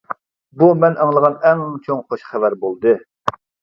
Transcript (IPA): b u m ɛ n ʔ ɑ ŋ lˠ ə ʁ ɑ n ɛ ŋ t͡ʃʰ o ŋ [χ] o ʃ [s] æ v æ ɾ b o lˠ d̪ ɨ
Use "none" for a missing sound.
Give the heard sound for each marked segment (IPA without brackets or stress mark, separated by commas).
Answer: χ, χ